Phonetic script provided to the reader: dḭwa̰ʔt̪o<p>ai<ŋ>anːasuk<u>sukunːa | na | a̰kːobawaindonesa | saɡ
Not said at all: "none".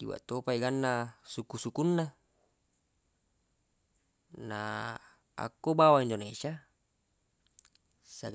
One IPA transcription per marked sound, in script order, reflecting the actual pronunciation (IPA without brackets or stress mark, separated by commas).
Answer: p, ɡ, u